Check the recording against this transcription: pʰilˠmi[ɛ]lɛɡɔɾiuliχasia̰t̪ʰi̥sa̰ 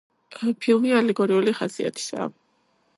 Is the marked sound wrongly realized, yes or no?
yes